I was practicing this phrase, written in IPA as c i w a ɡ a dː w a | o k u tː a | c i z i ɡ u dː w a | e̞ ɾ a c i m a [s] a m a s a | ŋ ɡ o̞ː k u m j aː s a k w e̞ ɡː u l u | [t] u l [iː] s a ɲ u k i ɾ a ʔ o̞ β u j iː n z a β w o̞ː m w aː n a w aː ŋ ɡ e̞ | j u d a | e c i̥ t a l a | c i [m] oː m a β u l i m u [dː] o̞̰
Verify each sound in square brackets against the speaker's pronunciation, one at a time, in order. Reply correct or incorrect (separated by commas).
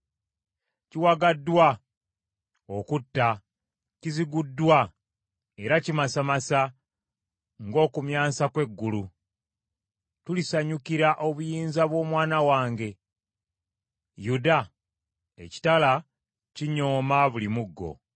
correct, correct, incorrect, incorrect, incorrect